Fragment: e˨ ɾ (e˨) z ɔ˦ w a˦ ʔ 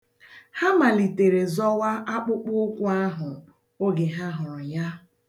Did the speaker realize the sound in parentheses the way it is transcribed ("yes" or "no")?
yes